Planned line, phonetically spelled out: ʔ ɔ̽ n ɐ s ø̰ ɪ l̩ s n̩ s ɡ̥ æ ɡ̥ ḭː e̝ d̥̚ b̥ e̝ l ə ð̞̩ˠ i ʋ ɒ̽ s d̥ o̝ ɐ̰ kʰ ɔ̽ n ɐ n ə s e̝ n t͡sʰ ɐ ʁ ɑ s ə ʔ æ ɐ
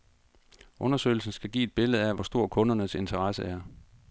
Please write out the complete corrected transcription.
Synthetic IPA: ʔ ɔ̽ n ɐ s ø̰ ɪ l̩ s n̩ s ɡ̥ æ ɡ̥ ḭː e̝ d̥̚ b̥ e̝ l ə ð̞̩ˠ æ ʋ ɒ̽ s d̥ o̝ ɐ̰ kʰ ɔ̽ n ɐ n ə s e̝ n t͡sʰ ɐ ʁ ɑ s ə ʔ æ ɐ

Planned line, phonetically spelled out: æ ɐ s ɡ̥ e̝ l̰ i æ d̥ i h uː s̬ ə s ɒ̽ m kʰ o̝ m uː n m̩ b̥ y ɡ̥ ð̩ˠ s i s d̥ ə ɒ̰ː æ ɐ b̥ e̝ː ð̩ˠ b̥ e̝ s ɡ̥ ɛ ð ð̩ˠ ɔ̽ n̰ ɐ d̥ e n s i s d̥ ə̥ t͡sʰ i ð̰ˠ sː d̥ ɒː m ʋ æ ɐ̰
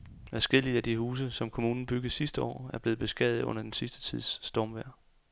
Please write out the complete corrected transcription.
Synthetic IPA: æ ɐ s ɡ̥ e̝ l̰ i æ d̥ i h uː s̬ ə s ɒ̽ m kʰ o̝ m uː n n̩ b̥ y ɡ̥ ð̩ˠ s i s d̥ ə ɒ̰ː æ ɐ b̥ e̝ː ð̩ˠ b̥ e̝ s ɡ̥ ɛ ð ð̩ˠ ɔ̽ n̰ ɐ d̥ e n s i s d̥ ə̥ t͡sʰ i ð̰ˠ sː d̥ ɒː m ʋ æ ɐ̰

